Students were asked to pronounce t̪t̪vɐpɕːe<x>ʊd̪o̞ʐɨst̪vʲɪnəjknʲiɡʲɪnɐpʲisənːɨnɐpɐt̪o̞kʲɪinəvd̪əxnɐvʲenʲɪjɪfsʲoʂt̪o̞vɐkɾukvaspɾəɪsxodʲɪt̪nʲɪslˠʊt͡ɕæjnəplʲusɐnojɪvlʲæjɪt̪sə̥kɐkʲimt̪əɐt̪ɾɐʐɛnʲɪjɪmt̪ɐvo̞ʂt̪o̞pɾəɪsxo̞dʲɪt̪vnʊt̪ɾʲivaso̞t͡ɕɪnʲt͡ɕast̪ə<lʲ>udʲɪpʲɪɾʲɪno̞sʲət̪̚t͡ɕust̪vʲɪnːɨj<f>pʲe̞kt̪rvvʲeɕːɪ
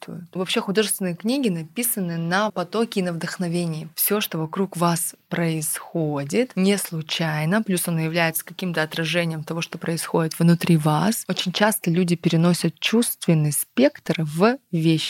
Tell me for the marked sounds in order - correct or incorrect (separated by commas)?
correct, correct, incorrect